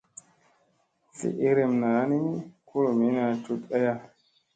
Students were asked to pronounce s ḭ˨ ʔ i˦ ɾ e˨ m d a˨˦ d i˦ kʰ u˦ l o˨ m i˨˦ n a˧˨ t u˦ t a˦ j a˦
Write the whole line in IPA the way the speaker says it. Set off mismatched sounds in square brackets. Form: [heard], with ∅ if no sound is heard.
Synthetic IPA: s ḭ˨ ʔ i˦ ɾ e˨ m [n] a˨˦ [n] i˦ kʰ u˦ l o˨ m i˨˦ n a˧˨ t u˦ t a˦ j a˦